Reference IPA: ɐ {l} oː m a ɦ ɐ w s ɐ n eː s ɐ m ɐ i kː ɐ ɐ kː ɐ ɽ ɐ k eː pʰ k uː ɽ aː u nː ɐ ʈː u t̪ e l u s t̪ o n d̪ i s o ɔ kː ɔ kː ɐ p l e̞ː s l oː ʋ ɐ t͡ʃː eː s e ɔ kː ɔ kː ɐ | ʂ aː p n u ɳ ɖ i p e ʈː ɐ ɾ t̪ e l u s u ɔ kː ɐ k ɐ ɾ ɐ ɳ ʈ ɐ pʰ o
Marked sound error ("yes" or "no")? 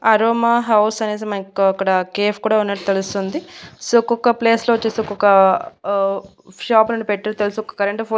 yes